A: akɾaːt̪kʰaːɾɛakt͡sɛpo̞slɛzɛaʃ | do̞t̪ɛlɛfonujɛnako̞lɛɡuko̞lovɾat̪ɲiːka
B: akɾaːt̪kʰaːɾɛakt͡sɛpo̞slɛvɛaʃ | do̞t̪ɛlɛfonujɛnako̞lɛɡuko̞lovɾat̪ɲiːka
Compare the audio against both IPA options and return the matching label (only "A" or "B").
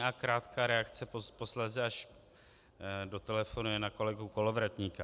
A